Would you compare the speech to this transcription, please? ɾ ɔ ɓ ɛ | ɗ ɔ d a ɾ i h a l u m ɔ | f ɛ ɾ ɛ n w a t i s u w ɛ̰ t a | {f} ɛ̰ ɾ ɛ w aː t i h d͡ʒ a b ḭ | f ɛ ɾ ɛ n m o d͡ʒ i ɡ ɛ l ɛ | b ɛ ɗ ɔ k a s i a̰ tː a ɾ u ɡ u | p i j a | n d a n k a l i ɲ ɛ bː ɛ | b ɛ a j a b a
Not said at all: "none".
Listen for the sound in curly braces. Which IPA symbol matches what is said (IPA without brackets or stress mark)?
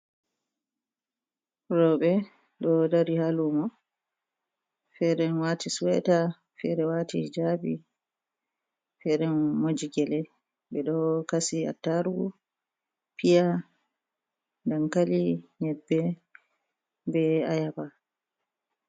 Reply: f